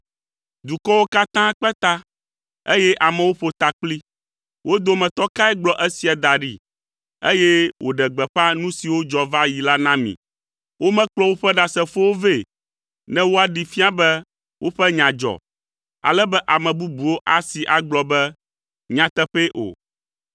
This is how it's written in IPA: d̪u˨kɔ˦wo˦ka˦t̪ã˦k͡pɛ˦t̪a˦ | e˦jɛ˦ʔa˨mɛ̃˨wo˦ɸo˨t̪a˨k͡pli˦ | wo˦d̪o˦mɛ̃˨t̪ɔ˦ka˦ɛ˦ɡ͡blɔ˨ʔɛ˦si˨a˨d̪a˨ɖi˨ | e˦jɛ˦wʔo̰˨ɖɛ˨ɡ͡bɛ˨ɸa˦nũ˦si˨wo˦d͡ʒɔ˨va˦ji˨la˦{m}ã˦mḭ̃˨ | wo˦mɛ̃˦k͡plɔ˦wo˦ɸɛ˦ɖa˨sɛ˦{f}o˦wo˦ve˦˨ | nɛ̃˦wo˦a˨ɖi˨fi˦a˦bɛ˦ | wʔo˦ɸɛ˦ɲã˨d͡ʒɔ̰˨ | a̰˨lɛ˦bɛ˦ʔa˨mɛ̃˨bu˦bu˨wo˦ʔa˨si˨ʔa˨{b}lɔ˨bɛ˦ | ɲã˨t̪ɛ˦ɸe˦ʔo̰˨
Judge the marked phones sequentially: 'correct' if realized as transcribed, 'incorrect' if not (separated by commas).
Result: incorrect, correct, incorrect